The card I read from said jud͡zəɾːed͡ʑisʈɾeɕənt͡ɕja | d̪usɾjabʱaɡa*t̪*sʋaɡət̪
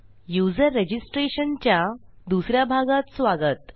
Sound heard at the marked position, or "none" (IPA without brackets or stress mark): t̪